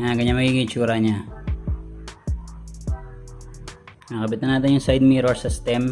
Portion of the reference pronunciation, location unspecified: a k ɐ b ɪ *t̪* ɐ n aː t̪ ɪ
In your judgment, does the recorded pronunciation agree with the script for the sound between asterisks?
yes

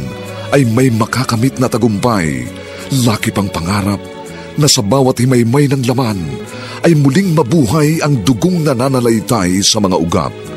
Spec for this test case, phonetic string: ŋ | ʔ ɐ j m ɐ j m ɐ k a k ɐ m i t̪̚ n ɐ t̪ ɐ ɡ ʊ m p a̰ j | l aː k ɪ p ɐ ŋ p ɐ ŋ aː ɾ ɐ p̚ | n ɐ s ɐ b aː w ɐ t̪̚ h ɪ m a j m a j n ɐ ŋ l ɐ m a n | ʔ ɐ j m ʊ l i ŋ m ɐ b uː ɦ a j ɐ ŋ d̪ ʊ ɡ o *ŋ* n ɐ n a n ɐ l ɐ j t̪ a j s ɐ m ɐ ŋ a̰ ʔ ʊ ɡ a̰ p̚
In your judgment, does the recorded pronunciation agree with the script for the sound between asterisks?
yes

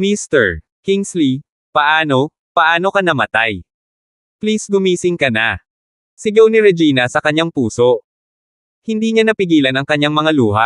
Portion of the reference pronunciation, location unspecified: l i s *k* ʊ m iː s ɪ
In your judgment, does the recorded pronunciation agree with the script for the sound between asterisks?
no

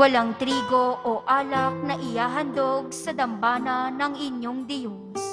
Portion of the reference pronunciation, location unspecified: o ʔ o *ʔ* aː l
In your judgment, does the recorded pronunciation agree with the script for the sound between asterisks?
yes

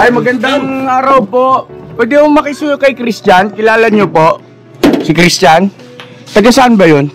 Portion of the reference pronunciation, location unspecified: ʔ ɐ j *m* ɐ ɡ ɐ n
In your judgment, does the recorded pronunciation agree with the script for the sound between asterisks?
yes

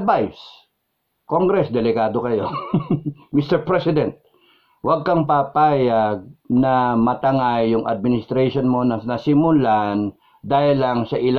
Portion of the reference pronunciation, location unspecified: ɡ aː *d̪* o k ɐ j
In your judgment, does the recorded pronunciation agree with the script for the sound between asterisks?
yes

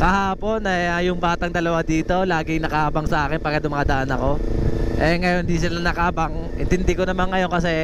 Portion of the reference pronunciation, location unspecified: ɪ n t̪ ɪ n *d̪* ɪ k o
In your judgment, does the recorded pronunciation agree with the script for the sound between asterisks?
yes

